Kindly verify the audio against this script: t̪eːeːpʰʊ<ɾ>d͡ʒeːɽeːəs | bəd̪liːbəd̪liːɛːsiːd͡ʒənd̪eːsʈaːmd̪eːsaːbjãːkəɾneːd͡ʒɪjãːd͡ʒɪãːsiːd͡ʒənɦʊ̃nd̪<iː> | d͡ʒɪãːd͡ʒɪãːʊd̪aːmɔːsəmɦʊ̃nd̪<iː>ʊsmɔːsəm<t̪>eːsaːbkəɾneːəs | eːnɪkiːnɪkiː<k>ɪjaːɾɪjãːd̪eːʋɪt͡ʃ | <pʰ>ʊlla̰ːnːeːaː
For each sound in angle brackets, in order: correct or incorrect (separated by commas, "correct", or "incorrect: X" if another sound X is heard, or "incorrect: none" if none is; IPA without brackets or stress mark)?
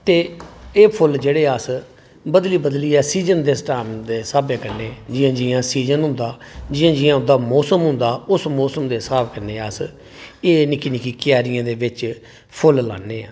incorrect: l, incorrect: aː, incorrect: aː, incorrect: d̪, correct, correct